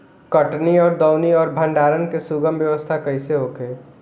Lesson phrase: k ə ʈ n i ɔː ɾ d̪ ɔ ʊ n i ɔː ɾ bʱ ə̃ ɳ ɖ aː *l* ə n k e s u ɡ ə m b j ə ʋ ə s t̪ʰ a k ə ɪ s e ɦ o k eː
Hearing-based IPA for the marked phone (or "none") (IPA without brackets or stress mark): ɾ